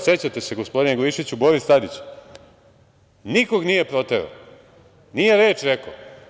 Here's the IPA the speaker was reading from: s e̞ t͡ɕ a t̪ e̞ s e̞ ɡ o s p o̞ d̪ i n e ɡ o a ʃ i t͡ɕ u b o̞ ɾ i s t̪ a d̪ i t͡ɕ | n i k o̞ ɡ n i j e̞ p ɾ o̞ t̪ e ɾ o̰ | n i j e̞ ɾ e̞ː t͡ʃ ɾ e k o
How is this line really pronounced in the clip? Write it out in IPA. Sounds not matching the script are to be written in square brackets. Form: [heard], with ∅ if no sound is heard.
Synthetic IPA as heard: s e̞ t͡ɕ a t̪ e̞ s e̞ ɡ o s p o̞ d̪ i n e ɡ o [i] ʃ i t͡ɕ u b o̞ ɾ i s t̪ a d̪ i t͡ɕ | n i k o̞ ɡ n i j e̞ p ɾ o̞ t̪ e ɾ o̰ | n i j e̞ ɾ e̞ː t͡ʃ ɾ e k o